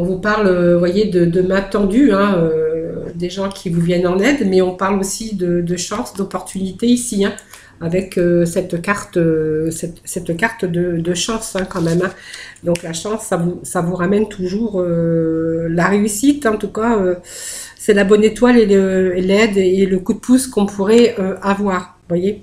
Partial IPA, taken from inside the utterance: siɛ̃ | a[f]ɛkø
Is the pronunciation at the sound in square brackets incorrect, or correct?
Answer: incorrect